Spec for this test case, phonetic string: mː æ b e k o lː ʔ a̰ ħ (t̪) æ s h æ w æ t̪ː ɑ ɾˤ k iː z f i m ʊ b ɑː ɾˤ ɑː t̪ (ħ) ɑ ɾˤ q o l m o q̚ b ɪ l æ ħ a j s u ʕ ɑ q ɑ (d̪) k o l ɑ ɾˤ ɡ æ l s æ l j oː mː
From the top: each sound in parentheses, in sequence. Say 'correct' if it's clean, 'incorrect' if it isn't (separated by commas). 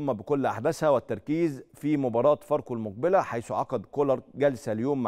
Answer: incorrect, incorrect, correct